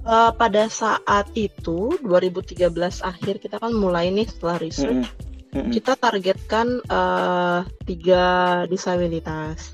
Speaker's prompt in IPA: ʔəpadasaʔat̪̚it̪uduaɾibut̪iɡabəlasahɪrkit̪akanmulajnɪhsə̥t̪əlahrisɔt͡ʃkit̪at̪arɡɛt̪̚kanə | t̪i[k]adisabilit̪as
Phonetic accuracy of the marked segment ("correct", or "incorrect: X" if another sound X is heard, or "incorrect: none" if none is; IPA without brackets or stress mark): incorrect: ɡ